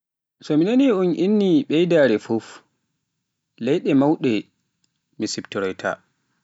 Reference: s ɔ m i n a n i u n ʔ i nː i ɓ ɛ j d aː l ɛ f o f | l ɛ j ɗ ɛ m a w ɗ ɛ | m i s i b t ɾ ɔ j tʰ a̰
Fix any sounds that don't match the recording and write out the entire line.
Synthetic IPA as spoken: s ɔ m i n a n i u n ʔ i nː i ɓ ɛ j d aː ɾ ɛ f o f | l ɛ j ɗ ɛ m a w ɗ ɛ | m i s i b t ɾ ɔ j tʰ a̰